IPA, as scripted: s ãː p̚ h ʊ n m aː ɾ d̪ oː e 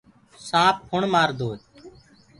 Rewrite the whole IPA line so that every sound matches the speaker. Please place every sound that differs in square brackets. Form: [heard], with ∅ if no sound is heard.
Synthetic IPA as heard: s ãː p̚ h ʊ [ɳ] m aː ɾ d̪ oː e